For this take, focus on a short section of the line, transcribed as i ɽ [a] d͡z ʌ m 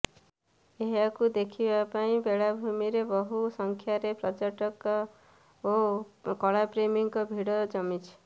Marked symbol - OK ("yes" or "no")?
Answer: no